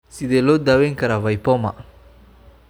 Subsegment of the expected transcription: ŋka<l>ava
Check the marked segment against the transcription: incorrect: ɾ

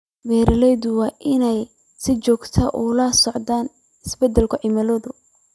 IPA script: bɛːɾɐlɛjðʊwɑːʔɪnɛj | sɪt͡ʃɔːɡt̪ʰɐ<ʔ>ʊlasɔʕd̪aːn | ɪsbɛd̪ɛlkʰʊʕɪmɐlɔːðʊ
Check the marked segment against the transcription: correct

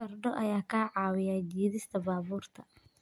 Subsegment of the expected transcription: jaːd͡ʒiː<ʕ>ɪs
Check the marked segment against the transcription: incorrect: ð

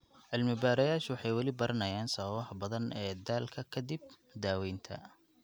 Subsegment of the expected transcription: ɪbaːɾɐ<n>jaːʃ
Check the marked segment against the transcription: incorrect: none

